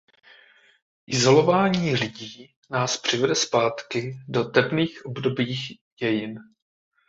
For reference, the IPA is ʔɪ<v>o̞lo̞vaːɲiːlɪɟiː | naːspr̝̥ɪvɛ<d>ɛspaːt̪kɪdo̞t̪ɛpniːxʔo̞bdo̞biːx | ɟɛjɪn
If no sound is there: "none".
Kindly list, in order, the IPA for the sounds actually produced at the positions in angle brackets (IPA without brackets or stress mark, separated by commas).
z, d